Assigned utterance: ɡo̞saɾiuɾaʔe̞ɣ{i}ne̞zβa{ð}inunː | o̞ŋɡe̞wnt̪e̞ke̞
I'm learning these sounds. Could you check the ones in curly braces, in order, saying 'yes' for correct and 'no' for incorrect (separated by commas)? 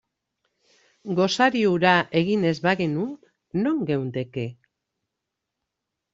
yes, no